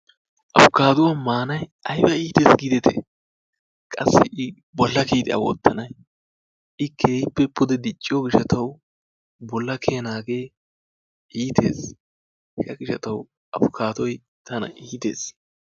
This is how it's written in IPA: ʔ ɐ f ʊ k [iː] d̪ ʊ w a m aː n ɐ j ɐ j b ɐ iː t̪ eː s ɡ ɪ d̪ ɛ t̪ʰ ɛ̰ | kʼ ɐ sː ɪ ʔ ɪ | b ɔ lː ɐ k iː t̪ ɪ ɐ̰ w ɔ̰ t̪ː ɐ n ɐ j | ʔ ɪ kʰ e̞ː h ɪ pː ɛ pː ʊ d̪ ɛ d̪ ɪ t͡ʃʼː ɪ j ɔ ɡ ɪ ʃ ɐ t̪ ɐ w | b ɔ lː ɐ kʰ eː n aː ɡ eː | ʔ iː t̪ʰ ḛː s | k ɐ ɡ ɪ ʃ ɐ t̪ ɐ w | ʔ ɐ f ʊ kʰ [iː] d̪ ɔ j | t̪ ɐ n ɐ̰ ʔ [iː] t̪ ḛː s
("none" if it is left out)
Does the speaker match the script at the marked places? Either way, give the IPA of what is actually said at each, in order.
aː, aː, iː

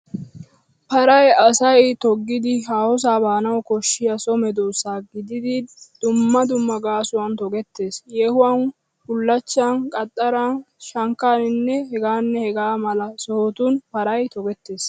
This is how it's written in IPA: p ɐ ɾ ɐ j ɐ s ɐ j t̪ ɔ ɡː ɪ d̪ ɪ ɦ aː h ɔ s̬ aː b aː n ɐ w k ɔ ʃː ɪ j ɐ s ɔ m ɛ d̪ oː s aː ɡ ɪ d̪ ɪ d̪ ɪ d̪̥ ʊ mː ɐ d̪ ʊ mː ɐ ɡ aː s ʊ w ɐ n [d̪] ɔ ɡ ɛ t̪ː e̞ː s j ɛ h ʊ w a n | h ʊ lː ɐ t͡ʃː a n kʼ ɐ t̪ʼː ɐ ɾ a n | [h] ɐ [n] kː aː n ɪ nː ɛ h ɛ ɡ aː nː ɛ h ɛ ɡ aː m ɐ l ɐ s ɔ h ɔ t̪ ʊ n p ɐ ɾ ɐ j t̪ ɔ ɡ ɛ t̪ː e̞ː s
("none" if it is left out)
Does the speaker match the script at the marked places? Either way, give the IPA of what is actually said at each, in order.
t̪, ʃ, ŋ

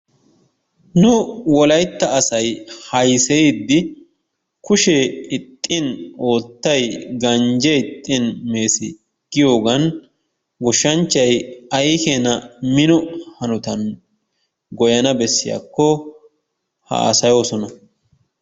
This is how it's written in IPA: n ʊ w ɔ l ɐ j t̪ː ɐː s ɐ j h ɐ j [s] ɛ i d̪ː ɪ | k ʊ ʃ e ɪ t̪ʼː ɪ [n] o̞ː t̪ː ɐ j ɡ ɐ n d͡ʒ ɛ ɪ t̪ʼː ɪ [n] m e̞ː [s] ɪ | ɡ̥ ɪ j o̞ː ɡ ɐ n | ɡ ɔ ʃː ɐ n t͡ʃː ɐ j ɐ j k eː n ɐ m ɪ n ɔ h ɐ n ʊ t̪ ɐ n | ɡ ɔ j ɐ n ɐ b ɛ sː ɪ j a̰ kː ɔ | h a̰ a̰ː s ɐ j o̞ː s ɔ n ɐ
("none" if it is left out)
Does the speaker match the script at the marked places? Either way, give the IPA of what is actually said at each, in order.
s, n, n, s

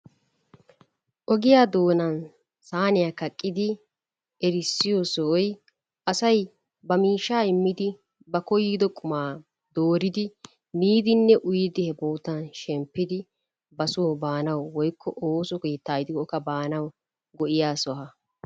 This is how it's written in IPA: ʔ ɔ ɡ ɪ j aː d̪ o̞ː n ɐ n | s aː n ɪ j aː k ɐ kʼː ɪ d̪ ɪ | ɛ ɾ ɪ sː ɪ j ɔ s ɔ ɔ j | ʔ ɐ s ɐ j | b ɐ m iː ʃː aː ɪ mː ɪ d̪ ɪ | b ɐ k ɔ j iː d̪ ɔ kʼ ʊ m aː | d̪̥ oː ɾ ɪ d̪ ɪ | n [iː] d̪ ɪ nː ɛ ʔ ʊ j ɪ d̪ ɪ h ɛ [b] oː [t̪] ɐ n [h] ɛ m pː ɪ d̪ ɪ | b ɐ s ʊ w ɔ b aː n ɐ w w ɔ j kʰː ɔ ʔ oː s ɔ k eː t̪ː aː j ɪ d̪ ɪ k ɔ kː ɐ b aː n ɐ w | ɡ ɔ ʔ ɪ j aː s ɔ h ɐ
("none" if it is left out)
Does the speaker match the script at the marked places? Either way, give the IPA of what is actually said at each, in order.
iː, b, t̪, ʃ

